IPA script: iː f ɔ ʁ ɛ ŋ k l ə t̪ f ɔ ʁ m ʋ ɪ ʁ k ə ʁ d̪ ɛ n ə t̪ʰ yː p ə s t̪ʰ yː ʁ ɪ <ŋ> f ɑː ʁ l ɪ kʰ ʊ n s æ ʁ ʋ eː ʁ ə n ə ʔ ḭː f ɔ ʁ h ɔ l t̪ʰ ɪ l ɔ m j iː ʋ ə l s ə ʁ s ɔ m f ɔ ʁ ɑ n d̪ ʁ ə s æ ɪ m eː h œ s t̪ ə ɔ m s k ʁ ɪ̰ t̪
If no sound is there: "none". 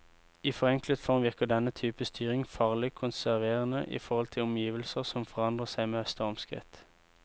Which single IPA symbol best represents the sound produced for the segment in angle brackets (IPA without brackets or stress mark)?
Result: ŋ